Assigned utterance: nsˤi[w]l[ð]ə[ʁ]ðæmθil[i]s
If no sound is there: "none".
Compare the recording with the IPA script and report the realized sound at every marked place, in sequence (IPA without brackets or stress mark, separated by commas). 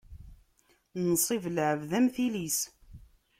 v, ʕ, v, i